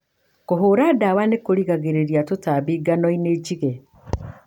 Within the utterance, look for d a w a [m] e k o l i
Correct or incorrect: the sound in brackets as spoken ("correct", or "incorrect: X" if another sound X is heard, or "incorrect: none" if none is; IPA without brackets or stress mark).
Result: incorrect: n